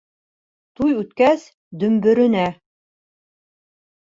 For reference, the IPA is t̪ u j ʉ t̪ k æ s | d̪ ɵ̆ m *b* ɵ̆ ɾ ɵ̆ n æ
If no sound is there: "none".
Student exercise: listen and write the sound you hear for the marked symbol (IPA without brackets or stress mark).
b